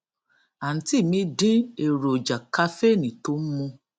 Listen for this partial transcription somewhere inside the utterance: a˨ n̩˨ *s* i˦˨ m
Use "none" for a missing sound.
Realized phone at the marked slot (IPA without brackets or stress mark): t